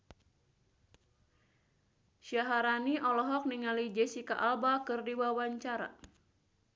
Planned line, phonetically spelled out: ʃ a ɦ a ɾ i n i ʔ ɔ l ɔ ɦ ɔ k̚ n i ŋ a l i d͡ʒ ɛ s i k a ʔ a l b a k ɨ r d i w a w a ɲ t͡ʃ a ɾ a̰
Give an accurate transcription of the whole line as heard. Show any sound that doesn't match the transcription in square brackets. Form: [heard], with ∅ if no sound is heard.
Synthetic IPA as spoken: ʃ a ɦ a ɾ [a] n i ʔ ɔ l ɔ ɦ ɔ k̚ n i ŋ a l i d͡ʒ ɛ s i k a ʔ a l b a k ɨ r d i w a w a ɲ t͡ʃ a ɾ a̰